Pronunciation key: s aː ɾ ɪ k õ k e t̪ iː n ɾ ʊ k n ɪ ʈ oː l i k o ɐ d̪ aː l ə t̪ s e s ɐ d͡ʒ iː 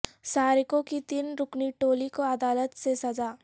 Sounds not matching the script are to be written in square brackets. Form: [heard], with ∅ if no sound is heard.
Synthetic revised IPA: s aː ɾ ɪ k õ k [i] t̪ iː n ɾ ʊ k n [i] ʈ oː l i k o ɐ d̪ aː l ə t̪ s e s ɐ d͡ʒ [aː]